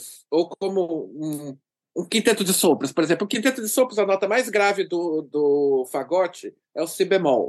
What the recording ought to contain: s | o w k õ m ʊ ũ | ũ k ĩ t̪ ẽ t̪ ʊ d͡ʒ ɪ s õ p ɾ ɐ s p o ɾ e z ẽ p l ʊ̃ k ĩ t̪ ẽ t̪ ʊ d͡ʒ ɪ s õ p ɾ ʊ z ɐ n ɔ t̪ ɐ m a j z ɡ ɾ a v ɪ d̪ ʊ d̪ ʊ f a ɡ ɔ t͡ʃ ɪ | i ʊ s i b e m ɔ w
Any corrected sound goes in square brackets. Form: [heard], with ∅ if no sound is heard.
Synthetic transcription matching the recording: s | o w k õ m ʊ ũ | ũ k ĩ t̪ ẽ t̪ ʊ d͡ʒ ɪ s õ p ɾ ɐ s p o ɾ e z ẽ p l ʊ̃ k ĩ t̪ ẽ t̪ ʊ d͡ʒ ɪ s õ p ɾ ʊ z ɐ n ɔ t̪ ɐ m a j z ɡ ɾ a v ɪ d̪ ʊ d̪ ʊ f a ɡ ɔ t͡ʃ ɪ | [ɛ] ʊ s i b e m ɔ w